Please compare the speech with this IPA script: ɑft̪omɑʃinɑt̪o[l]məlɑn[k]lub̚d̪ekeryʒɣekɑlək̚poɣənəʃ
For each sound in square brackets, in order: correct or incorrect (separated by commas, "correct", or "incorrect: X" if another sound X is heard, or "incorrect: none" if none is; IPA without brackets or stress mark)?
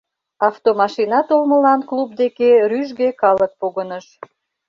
correct, correct